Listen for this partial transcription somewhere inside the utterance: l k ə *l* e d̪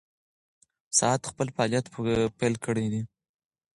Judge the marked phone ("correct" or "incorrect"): incorrect